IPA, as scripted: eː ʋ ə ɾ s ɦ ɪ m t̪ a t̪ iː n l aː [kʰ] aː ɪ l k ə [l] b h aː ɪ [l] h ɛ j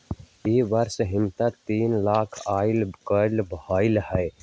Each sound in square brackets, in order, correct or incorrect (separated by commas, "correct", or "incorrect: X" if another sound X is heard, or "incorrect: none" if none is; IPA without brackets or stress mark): correct, correct, correct